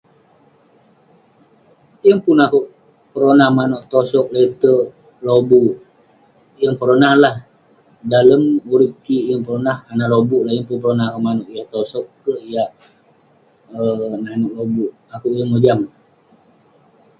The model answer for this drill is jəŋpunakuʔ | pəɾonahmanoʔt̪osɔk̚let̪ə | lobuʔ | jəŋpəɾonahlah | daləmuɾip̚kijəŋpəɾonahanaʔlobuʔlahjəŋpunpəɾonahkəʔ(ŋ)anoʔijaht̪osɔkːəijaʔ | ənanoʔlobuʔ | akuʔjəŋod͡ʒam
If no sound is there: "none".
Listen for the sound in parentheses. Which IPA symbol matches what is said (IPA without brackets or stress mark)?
m